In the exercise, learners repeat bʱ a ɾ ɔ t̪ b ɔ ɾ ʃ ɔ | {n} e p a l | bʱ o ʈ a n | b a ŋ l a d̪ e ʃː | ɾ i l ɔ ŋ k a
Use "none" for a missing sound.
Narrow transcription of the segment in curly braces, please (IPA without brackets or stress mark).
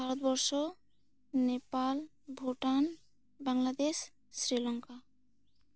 n